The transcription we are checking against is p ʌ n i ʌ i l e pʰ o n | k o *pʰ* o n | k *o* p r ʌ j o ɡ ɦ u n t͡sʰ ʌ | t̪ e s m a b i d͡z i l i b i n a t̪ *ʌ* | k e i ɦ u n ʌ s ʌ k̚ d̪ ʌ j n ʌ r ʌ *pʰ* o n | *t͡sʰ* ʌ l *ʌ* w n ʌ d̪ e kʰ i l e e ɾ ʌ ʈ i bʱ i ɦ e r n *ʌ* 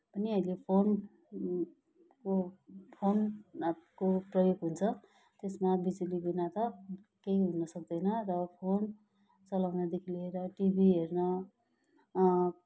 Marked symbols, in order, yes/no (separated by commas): yes, yes, yes, yes, no, no, yes